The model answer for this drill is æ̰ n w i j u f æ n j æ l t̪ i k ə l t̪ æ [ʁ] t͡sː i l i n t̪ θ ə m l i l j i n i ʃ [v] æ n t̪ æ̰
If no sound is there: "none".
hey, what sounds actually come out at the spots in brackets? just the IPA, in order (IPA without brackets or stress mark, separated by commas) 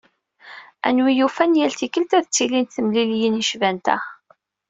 ð, v